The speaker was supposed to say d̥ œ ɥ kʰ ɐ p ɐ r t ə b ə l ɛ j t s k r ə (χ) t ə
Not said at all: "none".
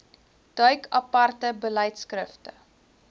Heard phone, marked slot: f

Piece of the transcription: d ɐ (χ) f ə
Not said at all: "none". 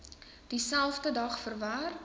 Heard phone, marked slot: χ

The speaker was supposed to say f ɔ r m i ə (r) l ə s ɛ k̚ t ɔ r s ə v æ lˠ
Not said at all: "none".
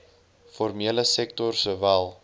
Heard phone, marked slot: none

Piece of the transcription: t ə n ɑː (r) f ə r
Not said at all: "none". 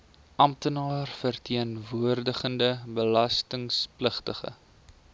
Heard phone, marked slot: r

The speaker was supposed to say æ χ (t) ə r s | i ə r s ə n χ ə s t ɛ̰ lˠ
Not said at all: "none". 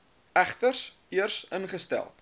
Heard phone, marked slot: t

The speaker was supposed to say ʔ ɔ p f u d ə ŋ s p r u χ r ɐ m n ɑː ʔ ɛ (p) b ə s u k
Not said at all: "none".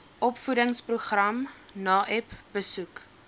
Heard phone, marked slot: p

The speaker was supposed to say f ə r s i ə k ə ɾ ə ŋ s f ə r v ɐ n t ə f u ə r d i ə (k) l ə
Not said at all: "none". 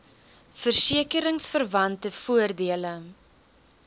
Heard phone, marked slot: none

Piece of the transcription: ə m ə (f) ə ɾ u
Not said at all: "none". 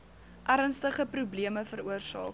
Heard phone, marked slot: f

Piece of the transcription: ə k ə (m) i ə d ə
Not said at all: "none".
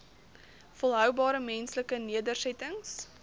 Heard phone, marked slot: n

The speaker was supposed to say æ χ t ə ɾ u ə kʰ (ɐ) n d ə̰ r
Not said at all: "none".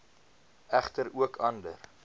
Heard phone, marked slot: ɐ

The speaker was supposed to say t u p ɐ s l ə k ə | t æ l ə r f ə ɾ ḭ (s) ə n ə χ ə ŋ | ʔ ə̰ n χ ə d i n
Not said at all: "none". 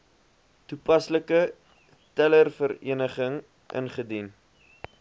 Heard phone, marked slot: none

